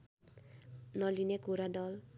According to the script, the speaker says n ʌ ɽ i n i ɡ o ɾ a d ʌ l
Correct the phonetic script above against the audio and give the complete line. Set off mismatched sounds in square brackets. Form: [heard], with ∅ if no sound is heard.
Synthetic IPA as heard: n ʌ [l] i n [e] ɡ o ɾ a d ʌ l